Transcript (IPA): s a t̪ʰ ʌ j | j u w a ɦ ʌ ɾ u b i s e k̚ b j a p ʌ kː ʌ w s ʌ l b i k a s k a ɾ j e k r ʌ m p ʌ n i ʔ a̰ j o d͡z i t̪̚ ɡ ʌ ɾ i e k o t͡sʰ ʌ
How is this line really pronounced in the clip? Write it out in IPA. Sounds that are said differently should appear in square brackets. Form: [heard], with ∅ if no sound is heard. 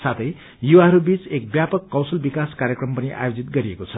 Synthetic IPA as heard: s a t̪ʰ ʌ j | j u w a ɦ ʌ ɾ u b i [t͡s] e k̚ b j a p ʌ kː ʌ w s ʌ l b i k a s k a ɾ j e k r ʌ m p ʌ n i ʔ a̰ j o d͡z i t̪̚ ɡ ʌ ɾ i e k o t͡sʰ ʌ